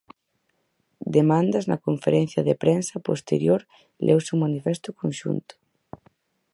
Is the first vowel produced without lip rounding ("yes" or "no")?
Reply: yes